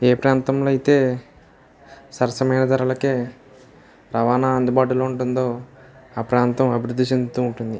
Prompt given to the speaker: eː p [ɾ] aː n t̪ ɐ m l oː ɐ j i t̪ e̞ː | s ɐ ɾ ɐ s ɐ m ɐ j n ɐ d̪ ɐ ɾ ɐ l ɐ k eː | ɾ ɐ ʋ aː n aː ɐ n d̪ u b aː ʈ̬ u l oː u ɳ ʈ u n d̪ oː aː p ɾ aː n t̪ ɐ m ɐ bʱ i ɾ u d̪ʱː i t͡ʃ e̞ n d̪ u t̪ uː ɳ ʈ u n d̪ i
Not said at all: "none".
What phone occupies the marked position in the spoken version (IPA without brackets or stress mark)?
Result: ɾ